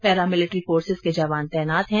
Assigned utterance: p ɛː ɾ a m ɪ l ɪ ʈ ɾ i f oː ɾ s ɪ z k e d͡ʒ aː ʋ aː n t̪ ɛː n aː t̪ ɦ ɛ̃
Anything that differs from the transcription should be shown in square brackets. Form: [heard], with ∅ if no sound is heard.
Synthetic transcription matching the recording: p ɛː ɾ a m ɪ l ɪ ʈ ɾ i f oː ɾ s ɪ z k e d͡ʒ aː ʋ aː n t̪ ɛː n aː t̪ ɦ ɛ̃